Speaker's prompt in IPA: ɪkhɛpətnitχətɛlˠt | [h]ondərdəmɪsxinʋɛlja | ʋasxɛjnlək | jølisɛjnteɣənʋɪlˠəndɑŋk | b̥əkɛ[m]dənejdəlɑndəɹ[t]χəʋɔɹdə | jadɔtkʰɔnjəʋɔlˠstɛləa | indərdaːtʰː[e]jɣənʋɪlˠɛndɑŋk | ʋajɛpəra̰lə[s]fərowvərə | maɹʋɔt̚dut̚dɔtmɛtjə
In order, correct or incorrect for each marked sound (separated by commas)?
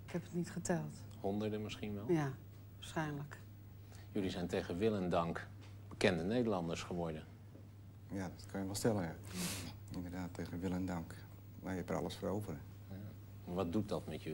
correct, incorrect, incorrect, correct, correct